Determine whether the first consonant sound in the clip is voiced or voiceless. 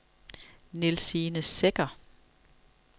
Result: voiced